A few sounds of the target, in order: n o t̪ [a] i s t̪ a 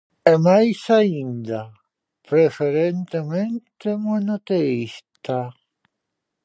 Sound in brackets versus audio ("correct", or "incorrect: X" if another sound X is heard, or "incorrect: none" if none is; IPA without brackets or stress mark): incorrect: e